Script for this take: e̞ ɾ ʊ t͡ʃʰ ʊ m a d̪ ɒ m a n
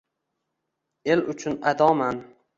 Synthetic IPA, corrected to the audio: e̞ l ʊ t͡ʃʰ ʊ n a d̪ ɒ m a n